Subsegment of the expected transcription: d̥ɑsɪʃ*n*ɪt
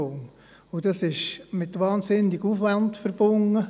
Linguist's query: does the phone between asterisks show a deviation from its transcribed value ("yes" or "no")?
yes